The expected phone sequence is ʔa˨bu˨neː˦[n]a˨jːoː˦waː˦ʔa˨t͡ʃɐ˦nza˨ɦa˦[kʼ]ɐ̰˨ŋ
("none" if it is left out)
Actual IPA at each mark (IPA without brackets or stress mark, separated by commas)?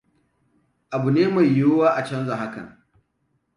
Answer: m, k